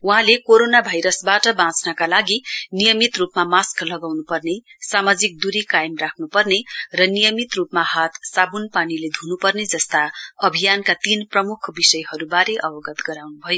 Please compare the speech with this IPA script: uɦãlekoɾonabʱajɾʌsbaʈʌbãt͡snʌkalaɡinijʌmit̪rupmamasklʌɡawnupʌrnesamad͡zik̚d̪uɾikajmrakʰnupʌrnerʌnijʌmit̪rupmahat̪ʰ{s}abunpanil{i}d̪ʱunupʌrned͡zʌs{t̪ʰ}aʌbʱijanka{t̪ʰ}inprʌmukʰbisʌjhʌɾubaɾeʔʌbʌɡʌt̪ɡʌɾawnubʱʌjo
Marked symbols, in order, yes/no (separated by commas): yes, no, no, no